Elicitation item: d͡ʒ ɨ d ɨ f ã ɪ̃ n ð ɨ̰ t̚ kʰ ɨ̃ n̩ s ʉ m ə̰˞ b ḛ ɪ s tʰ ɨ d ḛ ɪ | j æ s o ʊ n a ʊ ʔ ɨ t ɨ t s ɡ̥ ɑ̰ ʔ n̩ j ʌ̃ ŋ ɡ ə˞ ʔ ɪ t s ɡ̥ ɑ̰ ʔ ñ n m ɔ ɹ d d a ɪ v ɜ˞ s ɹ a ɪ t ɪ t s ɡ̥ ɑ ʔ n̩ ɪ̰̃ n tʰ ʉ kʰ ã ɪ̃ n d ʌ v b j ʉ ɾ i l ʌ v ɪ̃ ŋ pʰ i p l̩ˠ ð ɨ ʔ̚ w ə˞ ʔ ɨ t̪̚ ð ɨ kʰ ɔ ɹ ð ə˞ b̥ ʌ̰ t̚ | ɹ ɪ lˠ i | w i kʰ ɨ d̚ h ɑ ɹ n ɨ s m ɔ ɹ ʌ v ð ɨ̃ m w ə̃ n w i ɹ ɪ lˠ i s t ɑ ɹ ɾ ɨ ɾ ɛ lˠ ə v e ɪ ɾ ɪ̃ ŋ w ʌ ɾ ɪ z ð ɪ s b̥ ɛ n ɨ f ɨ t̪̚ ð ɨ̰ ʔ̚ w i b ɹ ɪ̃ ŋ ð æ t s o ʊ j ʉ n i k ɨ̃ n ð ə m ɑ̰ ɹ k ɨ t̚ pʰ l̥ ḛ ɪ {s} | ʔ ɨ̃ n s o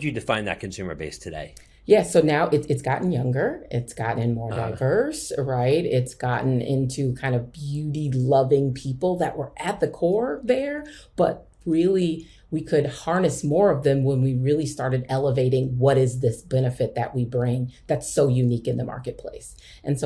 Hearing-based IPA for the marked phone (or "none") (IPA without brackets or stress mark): s